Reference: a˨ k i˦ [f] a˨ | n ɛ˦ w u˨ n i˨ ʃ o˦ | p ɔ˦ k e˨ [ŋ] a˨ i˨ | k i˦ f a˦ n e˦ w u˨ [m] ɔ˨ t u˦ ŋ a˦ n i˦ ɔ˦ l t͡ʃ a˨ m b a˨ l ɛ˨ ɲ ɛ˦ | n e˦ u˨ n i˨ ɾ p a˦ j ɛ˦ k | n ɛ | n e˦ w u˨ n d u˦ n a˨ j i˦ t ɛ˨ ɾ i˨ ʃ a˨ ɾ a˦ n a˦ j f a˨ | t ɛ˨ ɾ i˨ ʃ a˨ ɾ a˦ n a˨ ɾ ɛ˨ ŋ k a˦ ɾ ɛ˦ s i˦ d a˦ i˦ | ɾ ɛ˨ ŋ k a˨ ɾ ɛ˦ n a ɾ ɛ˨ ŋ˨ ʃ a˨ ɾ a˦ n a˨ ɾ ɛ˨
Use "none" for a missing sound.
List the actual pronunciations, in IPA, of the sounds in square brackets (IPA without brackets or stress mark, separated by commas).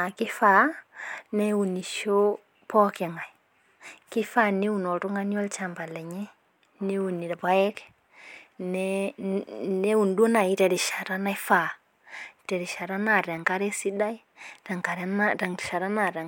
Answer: f, ŋ, n